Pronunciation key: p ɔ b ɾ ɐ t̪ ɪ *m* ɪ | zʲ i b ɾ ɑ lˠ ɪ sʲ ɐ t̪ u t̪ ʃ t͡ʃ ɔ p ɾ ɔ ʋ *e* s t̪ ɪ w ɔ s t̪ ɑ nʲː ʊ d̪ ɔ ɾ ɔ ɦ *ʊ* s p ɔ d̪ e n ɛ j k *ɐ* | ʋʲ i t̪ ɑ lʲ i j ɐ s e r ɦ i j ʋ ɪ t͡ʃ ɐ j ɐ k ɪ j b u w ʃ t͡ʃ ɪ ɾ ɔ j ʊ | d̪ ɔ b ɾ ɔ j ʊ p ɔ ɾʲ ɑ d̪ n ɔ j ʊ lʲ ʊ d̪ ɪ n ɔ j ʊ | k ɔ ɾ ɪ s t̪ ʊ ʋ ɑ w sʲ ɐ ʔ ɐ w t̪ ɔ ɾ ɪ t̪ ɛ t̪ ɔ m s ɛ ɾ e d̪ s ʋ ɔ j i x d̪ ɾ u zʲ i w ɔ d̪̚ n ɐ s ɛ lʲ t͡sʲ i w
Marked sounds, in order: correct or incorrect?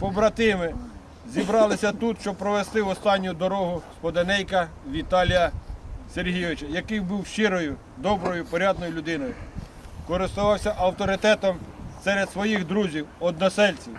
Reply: correct, correct, correct, correct

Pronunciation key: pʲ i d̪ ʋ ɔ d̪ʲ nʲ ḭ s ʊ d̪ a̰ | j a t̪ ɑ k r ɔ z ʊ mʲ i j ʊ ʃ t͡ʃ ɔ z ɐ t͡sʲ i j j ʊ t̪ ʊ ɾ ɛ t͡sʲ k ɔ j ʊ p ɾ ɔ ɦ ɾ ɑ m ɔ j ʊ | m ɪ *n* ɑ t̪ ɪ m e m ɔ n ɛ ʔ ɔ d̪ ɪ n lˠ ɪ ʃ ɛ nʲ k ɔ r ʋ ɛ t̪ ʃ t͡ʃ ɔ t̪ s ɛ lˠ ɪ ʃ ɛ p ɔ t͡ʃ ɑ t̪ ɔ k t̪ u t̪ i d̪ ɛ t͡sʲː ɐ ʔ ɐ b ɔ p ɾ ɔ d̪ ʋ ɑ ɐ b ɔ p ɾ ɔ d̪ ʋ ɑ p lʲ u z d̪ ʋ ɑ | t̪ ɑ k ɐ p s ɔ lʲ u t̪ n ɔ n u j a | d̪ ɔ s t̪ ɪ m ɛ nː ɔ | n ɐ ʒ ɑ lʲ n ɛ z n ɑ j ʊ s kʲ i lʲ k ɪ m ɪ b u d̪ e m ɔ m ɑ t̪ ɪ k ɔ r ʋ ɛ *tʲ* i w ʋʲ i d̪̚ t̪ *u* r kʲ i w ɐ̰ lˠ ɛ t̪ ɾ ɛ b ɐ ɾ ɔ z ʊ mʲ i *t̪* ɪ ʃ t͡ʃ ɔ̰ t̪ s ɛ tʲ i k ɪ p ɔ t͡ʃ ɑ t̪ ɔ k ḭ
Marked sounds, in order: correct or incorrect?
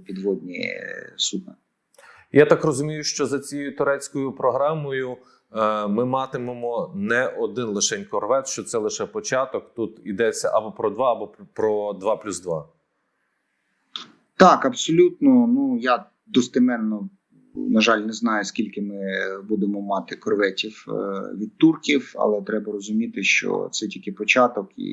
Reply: incorrect: m, correct, correct, correct

